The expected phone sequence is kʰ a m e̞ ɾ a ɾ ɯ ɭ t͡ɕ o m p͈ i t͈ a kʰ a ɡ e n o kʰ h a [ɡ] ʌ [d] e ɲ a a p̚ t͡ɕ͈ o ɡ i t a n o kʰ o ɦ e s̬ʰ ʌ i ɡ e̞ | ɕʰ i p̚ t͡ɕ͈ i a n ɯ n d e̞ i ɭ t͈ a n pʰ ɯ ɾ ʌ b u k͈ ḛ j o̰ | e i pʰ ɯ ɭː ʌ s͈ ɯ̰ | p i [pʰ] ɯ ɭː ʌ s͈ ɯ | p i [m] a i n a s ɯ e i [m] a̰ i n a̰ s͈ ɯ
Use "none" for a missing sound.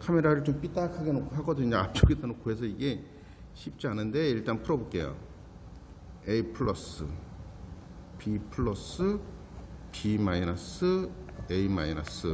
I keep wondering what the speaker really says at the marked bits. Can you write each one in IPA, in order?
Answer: ɡ, d, pʰ, m, m

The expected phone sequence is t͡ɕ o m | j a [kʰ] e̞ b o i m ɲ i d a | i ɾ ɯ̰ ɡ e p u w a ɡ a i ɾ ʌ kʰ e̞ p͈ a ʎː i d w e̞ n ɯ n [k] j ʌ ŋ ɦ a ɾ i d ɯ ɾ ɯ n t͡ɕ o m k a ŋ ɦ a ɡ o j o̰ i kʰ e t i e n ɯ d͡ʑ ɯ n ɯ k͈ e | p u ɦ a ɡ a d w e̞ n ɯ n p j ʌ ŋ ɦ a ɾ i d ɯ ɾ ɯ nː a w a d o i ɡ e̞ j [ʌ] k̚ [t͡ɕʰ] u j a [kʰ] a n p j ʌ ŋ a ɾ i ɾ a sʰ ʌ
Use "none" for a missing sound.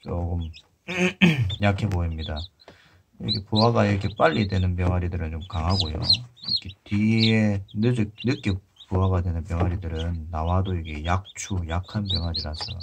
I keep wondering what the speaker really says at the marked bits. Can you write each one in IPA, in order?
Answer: kʰ, p, a, t͡ɕʰ, kʰ

